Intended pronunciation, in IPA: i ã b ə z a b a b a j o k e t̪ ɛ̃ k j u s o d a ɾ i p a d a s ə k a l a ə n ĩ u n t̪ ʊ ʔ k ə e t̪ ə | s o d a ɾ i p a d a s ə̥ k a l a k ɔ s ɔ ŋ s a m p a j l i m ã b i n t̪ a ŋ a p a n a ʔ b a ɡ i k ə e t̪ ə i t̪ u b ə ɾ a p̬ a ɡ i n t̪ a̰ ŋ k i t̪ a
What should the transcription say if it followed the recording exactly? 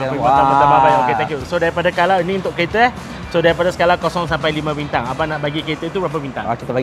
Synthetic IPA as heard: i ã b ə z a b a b a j o k e t̪ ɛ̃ k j u s o d a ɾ i p a d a s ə k a l a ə n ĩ u n t̪ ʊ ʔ k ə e t̪ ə | s o d a ɾ i p a d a s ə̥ k a l a k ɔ s ɔ ŋ s a m p a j l i m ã b i n t̪ a ŋ a p a n a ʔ b a ɡ i k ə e t̪ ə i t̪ u b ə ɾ a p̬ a b i n t̪ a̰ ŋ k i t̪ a